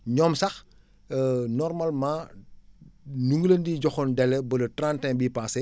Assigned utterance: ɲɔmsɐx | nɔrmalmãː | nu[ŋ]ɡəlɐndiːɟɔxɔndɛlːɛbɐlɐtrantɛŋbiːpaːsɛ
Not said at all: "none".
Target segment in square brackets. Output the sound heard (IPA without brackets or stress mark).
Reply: ŋ